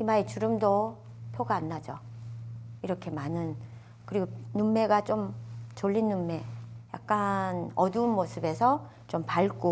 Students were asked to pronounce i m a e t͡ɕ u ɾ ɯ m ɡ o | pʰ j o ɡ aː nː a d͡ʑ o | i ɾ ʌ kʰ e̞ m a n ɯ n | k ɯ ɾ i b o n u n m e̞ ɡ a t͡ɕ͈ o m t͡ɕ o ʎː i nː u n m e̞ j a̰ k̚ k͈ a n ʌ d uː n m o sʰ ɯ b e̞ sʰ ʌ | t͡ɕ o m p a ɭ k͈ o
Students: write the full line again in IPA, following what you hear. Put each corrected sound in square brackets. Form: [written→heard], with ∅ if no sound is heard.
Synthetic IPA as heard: i m a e t͡ɕ u ɾ ɯ m [ɡ→d] o | pʰ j o ɡ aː nː a d͡ʑ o | i ɾ ʌ kʰ e̞ m a n ɯ n | k ɯ ɾ i [b→ɡ] o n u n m e̞ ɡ a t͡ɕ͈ o m t͡ɕ o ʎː i nː u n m e̞ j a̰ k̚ k͈ a n ʌ d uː n m o sʰ ɯ b e̞ sʰ ʌ | t͡ɕ o m p a ɭ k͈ o

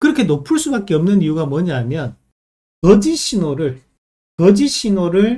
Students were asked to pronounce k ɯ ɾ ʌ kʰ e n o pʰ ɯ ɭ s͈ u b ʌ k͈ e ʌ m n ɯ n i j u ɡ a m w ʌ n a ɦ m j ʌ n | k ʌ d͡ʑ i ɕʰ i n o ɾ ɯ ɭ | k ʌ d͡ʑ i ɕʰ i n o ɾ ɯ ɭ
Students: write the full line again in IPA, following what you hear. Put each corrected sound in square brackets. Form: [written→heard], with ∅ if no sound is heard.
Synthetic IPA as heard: k ɯ ɾ ʌ kʰ e n o pʰ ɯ ɭ s͈ u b [ʌ→a] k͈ e ʌ m n ɯ n i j u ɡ a m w ʌ [n→ɲ] a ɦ m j ʌ n | k ʌ d͡ʑ i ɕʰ i n o ɾ ɯ ɭ | k ʌ d͡ʑ i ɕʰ i n o ɾ ɯ ɭ

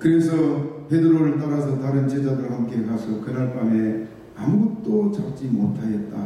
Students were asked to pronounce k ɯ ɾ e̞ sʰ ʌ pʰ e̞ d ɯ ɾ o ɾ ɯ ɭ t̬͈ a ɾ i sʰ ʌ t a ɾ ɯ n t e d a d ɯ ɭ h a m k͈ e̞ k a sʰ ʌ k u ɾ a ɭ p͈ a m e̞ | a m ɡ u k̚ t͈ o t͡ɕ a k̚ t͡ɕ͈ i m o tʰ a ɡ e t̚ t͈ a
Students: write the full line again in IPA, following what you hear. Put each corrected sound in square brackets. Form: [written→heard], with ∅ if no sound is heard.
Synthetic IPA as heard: k ɯ ɾ e̞ sʰ ʌ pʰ e̞ d ɯ ɾ o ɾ ɯ ɭ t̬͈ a ɾ [i→a] sʰ ʌ t a ɾ ɯ n [t→t͡ɕ] e [d→d͡ʑ] a d ɯ ɭ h a m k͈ e̞ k a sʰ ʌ k [u→ɯ] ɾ a ɭ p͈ a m e̞ | a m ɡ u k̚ t͈ o t͡ɕ a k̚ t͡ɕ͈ i m o tʰ a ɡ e t̚ t͈ a

